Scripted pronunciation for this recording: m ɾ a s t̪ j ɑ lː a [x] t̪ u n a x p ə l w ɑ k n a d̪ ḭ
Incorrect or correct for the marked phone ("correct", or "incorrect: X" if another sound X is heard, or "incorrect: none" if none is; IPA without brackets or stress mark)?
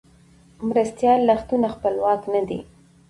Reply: correct